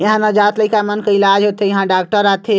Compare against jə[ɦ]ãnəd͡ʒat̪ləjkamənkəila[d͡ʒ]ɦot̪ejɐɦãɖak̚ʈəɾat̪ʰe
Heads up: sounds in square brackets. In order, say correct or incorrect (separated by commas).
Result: correct, correct